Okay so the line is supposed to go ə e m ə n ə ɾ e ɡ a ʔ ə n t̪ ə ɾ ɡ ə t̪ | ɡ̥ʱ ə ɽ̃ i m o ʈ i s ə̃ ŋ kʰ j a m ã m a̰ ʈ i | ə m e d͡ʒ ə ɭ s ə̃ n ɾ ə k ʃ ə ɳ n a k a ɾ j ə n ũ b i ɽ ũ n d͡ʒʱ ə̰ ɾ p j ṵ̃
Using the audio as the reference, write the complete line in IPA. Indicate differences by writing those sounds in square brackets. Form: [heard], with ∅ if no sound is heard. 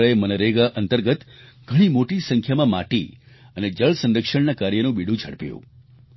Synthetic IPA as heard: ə e m ə n ə ɾ e ɡ a ʔ ə n t̪ ə ɾ ɡ ə t̪ | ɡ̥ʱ ə ɽ̃ i m o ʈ i s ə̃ ŋ kʰ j a m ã m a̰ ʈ i | ə [n] e d͡ʒ ə ɭ s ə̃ n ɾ ə k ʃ ə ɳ n a k a ɾ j ə n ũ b i ɽ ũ [∅] d͡ʒʱ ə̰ [ɽ] p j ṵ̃